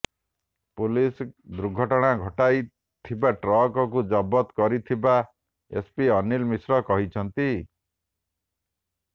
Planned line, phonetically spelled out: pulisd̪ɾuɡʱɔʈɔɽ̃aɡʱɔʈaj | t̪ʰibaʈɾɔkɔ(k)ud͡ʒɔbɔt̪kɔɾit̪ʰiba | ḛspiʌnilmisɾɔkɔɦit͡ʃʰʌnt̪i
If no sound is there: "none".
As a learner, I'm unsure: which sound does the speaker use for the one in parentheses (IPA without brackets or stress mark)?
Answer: k